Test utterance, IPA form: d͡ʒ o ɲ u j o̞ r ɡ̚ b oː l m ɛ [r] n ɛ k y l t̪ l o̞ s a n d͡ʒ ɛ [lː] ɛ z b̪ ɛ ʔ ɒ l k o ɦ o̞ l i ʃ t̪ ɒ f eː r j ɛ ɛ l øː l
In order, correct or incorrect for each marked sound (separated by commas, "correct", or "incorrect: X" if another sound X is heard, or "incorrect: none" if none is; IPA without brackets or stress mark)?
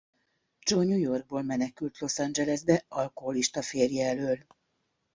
incorrect: none, incorrect: l